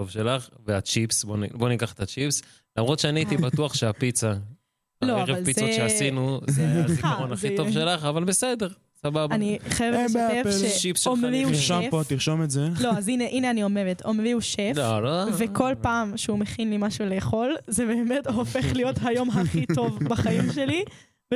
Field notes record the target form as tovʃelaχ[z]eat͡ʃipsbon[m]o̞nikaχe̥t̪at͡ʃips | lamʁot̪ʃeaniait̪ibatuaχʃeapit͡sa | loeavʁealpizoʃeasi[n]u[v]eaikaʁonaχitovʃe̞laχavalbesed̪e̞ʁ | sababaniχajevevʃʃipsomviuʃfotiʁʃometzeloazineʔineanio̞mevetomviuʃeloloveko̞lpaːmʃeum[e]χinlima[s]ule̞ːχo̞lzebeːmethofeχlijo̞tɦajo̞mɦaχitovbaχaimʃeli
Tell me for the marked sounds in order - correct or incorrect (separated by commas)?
incorrect, incorrect, correct, incorrect, correct, incorrect